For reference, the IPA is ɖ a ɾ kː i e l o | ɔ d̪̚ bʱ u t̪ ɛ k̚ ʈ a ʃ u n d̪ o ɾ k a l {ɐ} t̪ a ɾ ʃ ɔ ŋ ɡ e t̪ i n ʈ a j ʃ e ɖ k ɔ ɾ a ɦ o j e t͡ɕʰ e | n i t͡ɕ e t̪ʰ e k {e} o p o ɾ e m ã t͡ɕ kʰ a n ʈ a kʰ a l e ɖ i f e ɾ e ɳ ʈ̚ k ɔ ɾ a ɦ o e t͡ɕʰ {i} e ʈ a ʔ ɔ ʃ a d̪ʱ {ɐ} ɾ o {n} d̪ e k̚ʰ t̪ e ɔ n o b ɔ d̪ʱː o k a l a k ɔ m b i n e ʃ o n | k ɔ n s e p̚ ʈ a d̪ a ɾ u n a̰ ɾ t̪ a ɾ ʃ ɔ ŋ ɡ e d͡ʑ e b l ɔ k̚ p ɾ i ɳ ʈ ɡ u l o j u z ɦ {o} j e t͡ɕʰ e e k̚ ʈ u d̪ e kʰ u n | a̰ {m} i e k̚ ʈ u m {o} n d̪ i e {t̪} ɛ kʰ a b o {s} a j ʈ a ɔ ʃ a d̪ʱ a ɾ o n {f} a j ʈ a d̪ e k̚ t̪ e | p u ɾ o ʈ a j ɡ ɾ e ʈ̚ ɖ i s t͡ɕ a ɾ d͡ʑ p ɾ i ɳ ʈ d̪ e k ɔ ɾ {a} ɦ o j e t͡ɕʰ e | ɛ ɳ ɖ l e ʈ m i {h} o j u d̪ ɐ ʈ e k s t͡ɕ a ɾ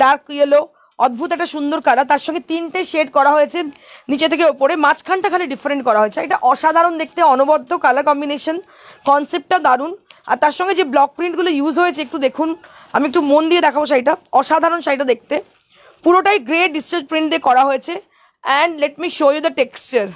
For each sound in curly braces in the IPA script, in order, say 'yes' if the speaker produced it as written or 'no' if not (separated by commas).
no, yes, no, no, yes, yes, yes, yes, no, no, no, yes, no